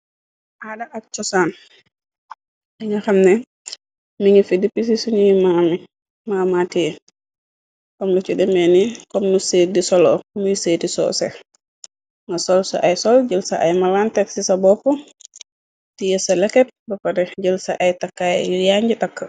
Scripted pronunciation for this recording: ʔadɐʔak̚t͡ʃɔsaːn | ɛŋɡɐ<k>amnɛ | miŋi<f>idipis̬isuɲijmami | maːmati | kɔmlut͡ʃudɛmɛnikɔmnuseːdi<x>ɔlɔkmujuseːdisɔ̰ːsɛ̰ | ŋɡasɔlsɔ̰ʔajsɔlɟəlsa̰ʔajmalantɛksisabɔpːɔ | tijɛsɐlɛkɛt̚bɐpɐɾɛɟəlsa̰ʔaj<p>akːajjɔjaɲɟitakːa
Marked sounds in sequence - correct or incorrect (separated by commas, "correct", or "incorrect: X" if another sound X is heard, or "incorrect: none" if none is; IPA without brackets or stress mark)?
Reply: incorrect: x, correct, incorrect: s, incorrect: t